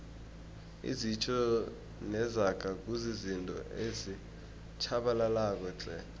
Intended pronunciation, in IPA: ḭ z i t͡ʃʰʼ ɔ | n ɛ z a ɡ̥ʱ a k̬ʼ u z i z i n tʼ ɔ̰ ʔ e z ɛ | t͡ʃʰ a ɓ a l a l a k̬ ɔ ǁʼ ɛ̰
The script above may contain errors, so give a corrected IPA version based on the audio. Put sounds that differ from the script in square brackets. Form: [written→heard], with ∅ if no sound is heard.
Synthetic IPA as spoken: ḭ z i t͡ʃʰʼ ɔ | n ɛ z a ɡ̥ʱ a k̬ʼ u z i z i n tʼ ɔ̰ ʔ e z [ɛ→i] | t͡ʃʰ a ɓ a l a l a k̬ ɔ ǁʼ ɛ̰